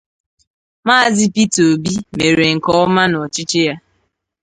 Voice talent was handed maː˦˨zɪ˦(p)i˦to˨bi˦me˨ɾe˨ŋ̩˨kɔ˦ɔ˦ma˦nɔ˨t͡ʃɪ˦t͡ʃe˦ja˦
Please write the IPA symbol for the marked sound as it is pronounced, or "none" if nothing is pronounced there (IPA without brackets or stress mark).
p